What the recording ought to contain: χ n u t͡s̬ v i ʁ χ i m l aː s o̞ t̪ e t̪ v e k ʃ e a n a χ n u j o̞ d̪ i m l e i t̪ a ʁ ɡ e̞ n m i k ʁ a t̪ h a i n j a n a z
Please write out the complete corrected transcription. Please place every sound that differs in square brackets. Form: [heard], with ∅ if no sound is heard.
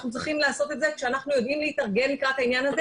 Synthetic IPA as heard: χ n u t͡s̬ [ʁ] i [∅] χ i m l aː s o̞ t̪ e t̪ [z] e k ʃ e a n a χ n u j o̞ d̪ i m l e i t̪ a ʁ ɡ e̞ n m i k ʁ a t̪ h a i n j a n a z